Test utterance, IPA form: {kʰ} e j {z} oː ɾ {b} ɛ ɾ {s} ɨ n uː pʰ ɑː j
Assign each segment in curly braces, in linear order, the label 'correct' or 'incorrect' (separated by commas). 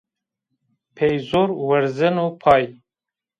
incorrect, correct, incorrect, incorrect